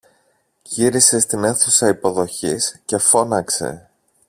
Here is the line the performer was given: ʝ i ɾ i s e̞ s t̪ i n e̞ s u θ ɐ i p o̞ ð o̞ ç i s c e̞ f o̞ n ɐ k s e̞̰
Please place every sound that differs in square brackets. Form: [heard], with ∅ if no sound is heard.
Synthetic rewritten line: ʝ i ɾ i s e̞ s t̪ i n e̞ [θ] u [s] ɐ i p o̞ ð o̞ ç i s c e̞ f o̞ n ɐ k s e̞̰